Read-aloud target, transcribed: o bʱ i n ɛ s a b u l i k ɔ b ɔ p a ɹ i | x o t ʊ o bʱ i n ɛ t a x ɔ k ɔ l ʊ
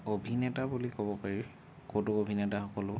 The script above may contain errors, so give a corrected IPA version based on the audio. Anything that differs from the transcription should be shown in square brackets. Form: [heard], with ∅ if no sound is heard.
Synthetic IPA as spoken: o bʱ i n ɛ [t] a b u l i k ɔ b ɔ p a ɹ i | [k] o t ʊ o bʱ i n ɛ t a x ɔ k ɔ l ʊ